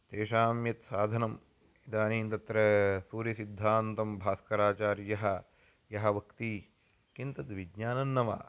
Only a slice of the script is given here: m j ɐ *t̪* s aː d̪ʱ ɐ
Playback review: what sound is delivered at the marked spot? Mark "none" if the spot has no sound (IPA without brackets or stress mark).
t̪